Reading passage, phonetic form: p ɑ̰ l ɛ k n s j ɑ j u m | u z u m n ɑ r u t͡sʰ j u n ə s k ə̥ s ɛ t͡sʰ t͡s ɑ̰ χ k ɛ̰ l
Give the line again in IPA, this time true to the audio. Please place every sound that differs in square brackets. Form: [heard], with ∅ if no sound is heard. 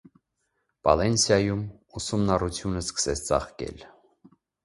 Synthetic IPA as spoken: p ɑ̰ l ɛ [∅] n s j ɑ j u m | u [s] u m n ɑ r u t͡sʰ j u n ə s k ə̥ s ɛ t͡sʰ t͡s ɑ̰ χ k ɛ̰ l